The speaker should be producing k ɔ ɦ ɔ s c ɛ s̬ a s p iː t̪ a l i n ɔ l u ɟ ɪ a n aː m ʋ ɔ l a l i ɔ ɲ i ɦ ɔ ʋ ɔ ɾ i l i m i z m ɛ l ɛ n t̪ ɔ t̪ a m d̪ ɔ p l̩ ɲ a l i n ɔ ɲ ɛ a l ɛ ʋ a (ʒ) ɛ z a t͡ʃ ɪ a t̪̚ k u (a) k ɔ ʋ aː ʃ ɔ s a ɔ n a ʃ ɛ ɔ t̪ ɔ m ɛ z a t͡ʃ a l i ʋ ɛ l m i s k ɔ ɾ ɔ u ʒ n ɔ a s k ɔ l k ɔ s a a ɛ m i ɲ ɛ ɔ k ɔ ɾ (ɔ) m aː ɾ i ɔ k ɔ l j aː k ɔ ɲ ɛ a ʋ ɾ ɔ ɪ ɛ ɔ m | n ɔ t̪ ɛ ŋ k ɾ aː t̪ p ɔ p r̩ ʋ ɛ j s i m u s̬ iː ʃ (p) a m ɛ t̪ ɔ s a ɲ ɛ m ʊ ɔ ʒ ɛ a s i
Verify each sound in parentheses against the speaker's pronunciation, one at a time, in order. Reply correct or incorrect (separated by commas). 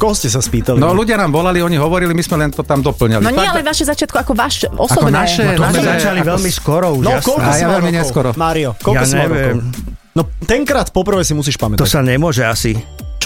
incorrect, correct, correct, correct